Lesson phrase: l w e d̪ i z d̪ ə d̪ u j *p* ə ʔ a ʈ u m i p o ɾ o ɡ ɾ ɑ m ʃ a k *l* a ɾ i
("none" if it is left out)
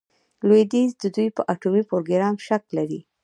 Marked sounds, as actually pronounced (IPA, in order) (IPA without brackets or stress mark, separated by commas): p, l